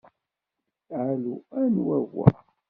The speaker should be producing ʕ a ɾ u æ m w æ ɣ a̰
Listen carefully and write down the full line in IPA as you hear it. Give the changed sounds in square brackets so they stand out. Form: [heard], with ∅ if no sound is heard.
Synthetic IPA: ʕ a [l] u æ [n] w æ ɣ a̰